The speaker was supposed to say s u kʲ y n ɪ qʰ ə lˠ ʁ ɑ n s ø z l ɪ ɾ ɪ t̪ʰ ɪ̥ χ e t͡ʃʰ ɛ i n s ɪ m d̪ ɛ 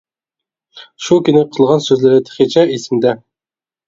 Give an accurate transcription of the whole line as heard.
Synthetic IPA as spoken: ʃ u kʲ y n ɪ qʰ ə lˠ ʁ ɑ n s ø z l ɪ ɾ ɪ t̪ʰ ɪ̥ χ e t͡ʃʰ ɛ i s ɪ m d̪ ɛ